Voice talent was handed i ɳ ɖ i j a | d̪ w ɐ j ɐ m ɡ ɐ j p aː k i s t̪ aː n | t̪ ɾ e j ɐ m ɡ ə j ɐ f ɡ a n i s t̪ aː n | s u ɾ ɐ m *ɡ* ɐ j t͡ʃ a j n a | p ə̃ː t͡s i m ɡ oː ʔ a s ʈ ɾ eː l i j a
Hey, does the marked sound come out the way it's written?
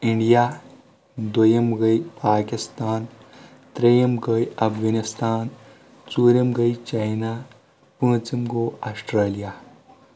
yes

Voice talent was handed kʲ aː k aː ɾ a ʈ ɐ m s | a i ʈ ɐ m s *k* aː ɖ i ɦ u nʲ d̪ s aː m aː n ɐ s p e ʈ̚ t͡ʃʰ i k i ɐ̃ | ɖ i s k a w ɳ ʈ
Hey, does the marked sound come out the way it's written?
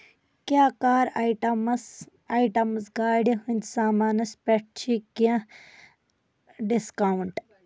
no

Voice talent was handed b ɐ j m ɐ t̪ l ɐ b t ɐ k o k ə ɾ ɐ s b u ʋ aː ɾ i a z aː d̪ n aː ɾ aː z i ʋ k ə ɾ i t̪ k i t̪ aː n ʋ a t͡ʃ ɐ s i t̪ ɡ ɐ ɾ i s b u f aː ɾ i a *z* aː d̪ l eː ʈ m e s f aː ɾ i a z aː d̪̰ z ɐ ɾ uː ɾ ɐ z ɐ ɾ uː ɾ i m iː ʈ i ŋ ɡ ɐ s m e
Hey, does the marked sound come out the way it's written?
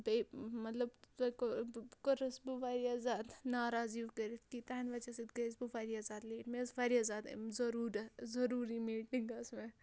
yes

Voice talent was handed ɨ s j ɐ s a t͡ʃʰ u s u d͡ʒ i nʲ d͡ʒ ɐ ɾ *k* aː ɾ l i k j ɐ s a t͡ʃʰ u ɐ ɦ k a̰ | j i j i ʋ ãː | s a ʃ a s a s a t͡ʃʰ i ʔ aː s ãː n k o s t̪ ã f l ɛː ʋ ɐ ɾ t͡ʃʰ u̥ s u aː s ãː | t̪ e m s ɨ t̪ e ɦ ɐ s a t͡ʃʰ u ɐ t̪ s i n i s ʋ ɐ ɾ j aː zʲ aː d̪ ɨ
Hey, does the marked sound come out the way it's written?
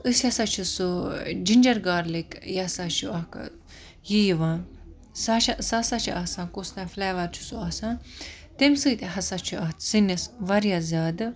no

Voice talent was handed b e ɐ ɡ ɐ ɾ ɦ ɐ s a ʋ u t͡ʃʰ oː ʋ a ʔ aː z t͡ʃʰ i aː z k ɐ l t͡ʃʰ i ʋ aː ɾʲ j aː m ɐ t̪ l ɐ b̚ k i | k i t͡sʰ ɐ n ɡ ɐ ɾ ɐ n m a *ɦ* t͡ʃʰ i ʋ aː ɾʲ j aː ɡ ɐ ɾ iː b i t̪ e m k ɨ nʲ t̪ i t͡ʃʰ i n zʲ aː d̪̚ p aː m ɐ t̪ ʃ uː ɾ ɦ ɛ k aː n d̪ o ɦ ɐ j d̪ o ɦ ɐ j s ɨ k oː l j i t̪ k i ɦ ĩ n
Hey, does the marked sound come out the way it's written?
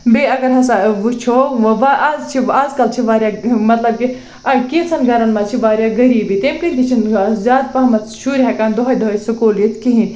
no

